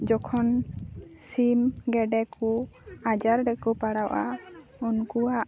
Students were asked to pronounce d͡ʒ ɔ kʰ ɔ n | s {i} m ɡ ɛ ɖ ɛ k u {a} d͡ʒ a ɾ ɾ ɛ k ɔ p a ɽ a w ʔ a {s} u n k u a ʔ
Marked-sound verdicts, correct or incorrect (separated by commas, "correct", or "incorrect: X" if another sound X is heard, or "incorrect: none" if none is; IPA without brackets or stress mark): correct, correct, incorrect: none